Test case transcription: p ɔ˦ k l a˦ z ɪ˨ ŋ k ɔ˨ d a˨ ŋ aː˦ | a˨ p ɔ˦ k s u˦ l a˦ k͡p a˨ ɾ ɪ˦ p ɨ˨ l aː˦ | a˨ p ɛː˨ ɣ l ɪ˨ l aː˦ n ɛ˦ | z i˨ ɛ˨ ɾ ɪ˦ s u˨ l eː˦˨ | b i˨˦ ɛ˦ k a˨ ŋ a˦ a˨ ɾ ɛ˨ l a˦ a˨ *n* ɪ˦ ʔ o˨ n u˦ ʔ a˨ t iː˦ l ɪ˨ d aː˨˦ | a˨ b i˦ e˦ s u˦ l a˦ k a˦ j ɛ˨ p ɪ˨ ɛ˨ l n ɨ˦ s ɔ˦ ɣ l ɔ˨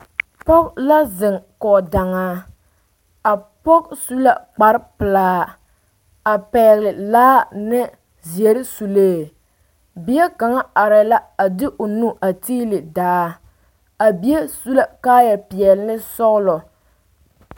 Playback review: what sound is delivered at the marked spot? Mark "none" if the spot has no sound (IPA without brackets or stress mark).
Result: d